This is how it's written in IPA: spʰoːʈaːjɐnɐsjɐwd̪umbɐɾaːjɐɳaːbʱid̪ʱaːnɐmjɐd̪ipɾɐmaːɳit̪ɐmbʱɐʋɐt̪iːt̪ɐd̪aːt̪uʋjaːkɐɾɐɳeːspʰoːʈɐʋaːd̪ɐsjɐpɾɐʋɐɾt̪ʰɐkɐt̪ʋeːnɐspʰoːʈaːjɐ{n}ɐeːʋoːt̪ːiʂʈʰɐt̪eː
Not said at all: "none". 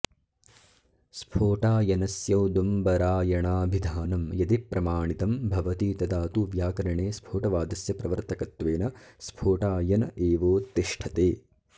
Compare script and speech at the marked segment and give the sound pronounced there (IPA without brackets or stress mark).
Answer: n